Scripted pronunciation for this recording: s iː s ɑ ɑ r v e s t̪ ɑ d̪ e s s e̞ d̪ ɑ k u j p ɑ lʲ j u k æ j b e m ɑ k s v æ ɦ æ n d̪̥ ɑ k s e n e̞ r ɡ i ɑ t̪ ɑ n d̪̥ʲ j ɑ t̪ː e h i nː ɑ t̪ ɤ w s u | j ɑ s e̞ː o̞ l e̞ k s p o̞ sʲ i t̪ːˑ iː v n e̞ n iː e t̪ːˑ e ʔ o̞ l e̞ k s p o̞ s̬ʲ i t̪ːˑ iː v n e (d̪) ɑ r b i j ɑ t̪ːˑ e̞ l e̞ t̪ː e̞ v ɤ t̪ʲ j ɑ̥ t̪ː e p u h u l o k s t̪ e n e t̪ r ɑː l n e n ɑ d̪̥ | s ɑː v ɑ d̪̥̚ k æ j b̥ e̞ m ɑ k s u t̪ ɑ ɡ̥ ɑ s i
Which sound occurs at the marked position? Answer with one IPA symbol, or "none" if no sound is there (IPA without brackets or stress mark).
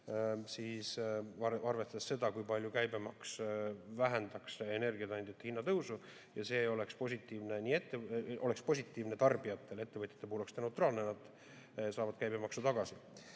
t̪